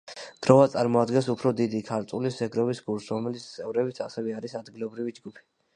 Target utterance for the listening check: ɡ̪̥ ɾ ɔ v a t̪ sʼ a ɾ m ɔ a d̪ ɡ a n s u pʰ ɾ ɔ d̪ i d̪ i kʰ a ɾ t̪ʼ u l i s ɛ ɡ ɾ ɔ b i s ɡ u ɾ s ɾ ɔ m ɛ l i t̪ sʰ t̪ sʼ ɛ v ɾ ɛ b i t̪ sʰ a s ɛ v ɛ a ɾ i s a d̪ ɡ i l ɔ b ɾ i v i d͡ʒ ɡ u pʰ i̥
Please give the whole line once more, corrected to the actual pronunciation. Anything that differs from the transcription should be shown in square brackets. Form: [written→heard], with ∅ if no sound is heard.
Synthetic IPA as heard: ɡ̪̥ ɾ ɔ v a t̪ sʼ a ɾ m ɔ a d̪ ɡ [a→ɛ] n s u pʰ ɾ ɔ d̪ i d̪ i kʰ a ɾ t̪ʼ u l i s ɛ ɡ ɾ ɔ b i s ɡ u ɾ s ɾ ɔ m ɛ l i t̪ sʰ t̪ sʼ ɛ v ɾ ɛ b i t̪ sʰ a s ɛ v ɛ a ɾ i s a d̪ ɡ i l ɔ b ɾ i v i d͡ʒ ɡ u pʰ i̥